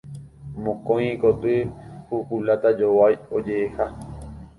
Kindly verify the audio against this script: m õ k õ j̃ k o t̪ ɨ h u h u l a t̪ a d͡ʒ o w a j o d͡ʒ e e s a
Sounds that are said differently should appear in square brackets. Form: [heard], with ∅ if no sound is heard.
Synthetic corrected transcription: m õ k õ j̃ k o t̪ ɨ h u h u l a t̪ a d͡ʒ o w a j o d͡ʒ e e [h] a